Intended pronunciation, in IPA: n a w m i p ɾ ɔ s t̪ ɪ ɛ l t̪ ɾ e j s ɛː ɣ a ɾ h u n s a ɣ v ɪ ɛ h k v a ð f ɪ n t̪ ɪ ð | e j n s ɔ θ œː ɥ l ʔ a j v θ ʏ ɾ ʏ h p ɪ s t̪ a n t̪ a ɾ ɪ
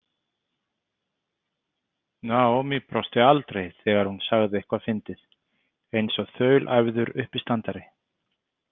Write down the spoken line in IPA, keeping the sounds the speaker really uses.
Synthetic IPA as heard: n a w m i p ɾ ɔ s t̪ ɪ a l t̪ ɾ e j θ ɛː ɣ a ɾ h u n s a ɣ ð ɪ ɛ h k v a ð f ɪ n t̪ ɪ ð | e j n s ɔ θ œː ɥ l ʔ a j v ð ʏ ɾ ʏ h p ɪ s t̪ a n t̪ a ɾ ɪ